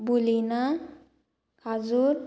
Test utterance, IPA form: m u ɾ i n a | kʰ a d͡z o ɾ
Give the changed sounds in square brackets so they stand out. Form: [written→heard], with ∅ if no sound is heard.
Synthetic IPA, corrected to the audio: [m→b] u [ɾ→l] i n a | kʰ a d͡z [o→u] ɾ